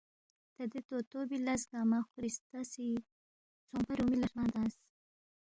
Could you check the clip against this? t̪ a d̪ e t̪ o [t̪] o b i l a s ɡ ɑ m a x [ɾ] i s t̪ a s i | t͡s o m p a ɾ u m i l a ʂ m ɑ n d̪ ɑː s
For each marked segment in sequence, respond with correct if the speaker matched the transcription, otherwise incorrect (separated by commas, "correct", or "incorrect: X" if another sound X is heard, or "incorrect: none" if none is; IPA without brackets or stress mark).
correct, correct